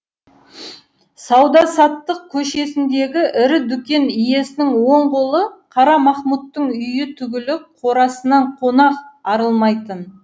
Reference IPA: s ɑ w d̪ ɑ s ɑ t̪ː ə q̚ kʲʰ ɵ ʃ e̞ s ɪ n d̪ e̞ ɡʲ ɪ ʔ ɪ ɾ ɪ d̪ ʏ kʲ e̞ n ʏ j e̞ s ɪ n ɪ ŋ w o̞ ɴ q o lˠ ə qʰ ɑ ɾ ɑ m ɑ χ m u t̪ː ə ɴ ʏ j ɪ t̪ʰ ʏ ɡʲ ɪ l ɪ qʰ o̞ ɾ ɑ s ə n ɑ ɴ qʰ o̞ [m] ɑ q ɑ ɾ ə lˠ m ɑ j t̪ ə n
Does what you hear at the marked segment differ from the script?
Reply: yes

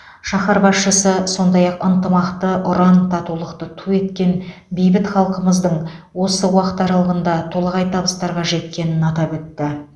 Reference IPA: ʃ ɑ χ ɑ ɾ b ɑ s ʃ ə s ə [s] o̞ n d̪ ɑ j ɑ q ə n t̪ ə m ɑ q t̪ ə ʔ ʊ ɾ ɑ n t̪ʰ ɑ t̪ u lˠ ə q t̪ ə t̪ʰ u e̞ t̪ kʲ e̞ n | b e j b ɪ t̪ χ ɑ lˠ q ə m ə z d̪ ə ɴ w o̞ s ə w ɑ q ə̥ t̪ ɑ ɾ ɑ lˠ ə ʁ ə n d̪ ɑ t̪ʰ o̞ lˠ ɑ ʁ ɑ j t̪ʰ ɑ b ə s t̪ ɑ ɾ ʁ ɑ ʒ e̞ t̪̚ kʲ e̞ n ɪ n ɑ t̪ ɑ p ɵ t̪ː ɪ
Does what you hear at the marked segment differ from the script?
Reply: no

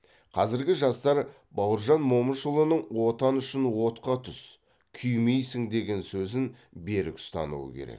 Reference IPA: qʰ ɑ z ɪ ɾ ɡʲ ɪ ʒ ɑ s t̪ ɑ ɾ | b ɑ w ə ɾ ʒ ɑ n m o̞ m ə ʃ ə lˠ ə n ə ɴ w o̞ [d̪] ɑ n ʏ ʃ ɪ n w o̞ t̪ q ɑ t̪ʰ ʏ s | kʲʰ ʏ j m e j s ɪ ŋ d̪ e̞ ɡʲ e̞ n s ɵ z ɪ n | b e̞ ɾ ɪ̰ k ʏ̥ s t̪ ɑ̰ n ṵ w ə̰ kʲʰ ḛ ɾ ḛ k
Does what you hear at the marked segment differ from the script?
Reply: yes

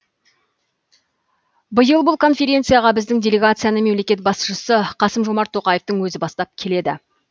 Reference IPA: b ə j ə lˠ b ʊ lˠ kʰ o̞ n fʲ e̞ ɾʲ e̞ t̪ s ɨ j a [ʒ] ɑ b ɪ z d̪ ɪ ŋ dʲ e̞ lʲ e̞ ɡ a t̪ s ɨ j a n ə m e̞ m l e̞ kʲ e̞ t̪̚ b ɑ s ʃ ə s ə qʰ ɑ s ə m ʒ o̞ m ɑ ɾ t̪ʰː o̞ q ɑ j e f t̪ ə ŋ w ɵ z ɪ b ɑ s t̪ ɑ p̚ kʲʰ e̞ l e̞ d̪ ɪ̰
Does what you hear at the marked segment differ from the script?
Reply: yes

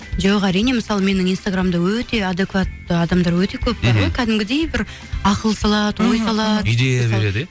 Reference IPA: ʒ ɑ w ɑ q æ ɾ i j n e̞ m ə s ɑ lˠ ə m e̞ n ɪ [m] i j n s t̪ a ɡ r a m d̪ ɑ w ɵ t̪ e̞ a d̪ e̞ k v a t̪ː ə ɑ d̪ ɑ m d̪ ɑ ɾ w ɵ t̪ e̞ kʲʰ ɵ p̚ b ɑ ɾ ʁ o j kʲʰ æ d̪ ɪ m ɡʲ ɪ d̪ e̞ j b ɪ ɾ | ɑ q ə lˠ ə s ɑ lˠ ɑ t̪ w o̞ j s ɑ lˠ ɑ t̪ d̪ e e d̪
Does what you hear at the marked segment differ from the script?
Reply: yes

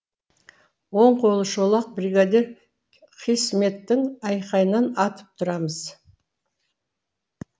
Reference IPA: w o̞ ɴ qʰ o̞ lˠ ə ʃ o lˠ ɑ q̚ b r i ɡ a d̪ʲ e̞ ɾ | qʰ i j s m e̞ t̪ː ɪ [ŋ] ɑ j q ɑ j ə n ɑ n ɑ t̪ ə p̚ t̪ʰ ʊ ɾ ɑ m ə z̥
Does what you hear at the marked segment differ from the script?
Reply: no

